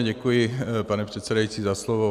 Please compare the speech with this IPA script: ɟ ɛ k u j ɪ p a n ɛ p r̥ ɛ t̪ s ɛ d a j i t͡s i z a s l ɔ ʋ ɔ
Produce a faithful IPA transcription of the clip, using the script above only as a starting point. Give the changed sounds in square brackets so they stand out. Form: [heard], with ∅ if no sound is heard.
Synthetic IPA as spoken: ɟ ɛ k u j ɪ p a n ɛ p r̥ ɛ t̪ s ɛ d a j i t͡s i z a s l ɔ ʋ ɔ